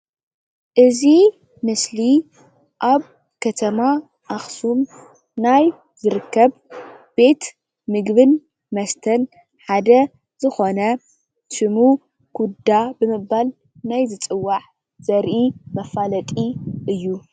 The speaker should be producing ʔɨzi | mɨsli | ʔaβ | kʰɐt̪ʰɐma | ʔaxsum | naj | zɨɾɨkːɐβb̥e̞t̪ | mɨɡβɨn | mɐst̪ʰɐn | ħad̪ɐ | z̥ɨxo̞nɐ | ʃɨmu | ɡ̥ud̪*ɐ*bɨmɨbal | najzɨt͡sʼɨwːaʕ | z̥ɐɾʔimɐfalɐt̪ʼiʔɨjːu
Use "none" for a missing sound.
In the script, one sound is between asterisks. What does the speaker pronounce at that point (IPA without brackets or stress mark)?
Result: a